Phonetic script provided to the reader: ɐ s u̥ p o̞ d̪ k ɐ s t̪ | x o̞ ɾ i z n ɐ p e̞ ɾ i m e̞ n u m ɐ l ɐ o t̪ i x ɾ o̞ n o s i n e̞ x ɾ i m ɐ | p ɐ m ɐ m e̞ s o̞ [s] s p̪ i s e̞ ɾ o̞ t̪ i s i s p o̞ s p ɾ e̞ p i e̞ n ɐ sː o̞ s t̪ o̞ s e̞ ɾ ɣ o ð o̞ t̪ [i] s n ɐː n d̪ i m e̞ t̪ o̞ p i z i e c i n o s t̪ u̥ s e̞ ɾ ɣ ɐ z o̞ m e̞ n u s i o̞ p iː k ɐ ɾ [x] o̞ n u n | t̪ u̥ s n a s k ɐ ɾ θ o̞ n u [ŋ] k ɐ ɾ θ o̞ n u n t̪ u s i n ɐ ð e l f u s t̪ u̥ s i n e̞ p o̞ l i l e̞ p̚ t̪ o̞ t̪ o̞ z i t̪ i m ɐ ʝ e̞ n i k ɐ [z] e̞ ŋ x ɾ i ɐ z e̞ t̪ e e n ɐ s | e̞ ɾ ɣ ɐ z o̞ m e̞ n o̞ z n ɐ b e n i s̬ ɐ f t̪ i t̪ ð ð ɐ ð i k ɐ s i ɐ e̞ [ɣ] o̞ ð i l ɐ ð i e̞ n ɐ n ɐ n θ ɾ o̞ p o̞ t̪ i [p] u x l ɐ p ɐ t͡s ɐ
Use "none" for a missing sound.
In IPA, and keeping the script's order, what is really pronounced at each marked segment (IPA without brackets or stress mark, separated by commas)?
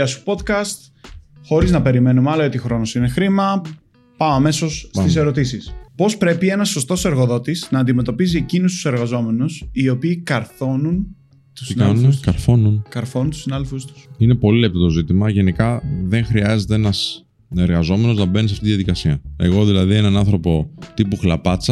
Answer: s, i, θ, n, ð, ɣ, p